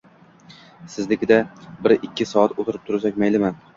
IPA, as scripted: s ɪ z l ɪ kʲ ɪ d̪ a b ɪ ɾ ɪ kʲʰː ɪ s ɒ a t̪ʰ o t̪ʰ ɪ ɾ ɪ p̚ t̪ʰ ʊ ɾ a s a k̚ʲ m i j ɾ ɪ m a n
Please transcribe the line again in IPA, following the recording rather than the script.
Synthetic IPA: s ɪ z l ɪ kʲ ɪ d̪ a b ɪ ɾ ɪ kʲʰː ɪ s ɒ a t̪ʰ o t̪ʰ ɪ ɾ ɪ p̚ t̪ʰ ʊ ɾ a s a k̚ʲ m a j l ɪ m a n

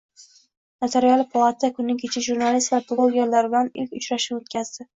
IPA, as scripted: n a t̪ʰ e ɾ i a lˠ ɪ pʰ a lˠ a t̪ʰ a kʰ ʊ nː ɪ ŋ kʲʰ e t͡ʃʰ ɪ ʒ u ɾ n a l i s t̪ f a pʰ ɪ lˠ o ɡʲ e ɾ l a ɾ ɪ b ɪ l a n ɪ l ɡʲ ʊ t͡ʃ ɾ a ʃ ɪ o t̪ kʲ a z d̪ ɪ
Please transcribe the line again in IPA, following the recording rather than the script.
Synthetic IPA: n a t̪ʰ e ɾ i a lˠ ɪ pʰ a lˠ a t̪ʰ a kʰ ʊ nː ɪ ŋ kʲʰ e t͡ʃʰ ɪ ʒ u ɾ n a l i s t̪ v a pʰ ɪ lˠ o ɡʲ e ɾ l a ɾ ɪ b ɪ l a n ɪ l kʲ ʊ t͡ʃ ɾ a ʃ ɪ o t̪ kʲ a z d̪ ɪ

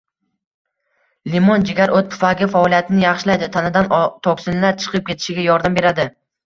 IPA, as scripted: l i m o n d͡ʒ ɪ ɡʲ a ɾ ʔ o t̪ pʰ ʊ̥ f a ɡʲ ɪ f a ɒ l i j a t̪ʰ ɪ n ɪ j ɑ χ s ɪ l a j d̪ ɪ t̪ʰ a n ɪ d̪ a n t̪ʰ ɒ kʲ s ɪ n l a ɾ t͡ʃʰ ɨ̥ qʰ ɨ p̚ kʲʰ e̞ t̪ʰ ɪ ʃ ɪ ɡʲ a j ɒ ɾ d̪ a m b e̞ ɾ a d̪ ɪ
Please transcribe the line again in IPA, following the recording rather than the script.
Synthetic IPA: l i m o n d͡ʒ ɪ ɡʲ a ɾ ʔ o t̪ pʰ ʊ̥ f a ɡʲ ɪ f a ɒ l i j a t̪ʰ ɪ n ɪ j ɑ χ ʃ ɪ l a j d̪ ɪ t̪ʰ a n ɪ d̪ a n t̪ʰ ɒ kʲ s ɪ n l a ɾ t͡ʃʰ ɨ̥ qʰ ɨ p̚ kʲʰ e̞ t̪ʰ ɪ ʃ ɪ ɡʲ a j ɒ ɾ d̪ a m b e̞ ɾ a d̪ ɪ

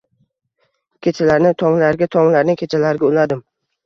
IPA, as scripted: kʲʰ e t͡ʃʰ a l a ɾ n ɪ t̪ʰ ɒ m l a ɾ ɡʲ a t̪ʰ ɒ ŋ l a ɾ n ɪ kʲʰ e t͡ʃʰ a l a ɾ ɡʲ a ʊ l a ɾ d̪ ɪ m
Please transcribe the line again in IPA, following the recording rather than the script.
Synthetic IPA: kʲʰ e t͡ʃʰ a l a ɾ n ɪ t̪ʰ ɒ ŋ l a ɾ ɡʲ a t̪ʰ ɒ ŋ l a ɾ n ɪ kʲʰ e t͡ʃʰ a l a ɾ ɡʲ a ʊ l a d̪ ɪ m

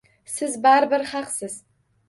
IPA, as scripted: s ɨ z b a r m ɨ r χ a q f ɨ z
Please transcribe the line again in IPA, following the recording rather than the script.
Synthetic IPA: s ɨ z b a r b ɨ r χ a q s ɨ z

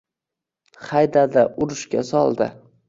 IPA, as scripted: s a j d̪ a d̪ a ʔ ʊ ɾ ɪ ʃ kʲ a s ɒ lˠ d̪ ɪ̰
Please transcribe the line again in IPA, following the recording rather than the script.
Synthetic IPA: χ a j d̪ a d̪ a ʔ ʊ ɾ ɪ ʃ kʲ a s ɒ lˠ d̪ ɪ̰

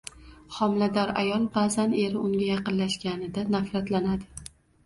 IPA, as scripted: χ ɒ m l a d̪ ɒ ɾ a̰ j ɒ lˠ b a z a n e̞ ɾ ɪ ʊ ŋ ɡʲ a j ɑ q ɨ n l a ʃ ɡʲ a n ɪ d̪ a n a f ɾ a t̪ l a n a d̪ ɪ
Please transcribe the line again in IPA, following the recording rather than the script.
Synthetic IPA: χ ɒ m l a d̪ ɒ ɾ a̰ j ɒ lˠ b a z a n e̞ ɾ ɪ ʊ ŋ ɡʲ a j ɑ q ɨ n l a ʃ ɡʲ a n ɪ d̪ a n a f ɾ a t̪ l a n a d̪ ɪ

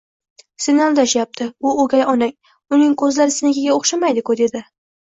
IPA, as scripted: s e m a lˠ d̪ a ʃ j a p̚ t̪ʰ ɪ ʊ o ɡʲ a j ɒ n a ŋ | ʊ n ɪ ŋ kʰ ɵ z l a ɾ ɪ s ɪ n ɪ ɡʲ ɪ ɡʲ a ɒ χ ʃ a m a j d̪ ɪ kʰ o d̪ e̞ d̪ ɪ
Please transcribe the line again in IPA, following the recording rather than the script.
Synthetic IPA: s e n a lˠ d̪ a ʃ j a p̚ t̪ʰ ɪ ʊ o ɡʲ a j ɒ n a ŋ | ʊ n ɪ ŋ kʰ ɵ z l a ɾ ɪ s ɪ n ɪ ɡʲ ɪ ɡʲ a o χ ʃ a m a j d̪ ɪ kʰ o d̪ e̞ d̪ ɪ

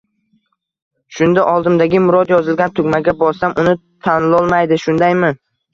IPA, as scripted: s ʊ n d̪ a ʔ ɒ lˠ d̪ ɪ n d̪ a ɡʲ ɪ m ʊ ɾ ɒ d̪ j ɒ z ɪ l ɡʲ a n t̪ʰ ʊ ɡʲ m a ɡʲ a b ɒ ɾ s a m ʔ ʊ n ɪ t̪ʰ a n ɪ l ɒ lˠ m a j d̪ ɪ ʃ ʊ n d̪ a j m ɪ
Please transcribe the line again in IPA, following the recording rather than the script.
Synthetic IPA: ʃ ʊ n d̪ a ʔ ɒ lˠ d̪ ɪ m d̪ a ɡʲ ɪ m ʊ ɾ ɒ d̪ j ɒ z ɪ l ɡʲ a n t̪ʰ ʊ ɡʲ m a ɡʲ a b ɒ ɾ s a m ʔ ʊ n ɪ t̪ʰ a n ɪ l ɒ lˠ m a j d̪ ɪ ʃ ʊ n d̪ a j m ɪ

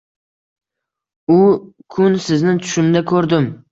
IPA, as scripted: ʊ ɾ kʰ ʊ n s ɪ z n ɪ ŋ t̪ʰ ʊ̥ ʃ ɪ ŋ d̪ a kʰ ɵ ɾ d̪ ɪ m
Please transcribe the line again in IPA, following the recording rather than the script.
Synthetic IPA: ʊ kʰ ʊ n s ɪ z n ɪ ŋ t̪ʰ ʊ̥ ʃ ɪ m d̪ a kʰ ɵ ɾ d̪ ɪ m

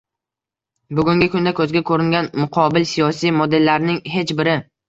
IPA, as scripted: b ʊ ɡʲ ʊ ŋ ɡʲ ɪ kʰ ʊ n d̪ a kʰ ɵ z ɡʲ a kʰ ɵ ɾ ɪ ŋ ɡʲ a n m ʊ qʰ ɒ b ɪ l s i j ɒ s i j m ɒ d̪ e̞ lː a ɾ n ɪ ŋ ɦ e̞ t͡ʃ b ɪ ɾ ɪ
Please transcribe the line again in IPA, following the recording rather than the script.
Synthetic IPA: b ʊ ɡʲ ʊ ŋ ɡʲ ɪ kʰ ʊ n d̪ a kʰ ɵ z ɡʲ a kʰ ɵ ɾ ɪ ŋ ɡʲ a n m ʊ qʰ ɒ b ɪ l s i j ɒ s i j m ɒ d̪ e̞ lː a ɾ n ɪ ŋ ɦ e̞ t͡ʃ b ɪ ɾ ɪ

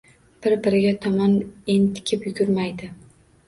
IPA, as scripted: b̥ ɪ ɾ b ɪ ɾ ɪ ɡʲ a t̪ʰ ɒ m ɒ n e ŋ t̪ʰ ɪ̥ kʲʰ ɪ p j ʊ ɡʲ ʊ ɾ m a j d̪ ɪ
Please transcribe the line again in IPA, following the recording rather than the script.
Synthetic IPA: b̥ ɪ ɾ b ɪ ɾ ɪ ɡʲ a t̪ʰ ɒ m ɒ n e n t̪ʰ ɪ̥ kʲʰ ɪ p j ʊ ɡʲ ʊ ɾ m a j d̪ ɪ

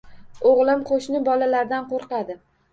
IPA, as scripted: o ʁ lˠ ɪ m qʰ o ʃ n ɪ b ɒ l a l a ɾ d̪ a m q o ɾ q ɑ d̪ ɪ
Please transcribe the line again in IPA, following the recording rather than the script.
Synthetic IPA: o ʁ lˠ ɪ m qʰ o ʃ n ɪ b ɒ l a l a ɾ d̪ a n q o ɾ q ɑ d̪ ɪ

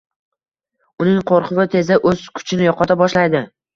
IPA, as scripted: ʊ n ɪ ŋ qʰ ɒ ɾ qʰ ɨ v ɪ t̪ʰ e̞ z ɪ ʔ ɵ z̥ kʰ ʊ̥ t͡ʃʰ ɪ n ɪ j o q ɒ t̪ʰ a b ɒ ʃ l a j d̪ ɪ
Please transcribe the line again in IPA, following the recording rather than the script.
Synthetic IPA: ʊ n ɪ ŋ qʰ o ɾ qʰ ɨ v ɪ t̪ʰ e̞ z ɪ ʔ ɵ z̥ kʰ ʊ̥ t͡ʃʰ ɪ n ɪ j ɒ q ɒ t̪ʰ a b ɒ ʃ l a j d̪ ɪ

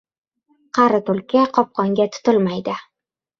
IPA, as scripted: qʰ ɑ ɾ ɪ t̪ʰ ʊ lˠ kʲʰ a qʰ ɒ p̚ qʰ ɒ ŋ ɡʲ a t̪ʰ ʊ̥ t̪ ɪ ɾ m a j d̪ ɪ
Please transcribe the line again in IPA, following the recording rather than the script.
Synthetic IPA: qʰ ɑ ɾ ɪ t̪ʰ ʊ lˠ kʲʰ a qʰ ɒ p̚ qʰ ɒ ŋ ɡʲ a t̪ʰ ʊ̥ t̪ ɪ l m a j d̪ ɪ

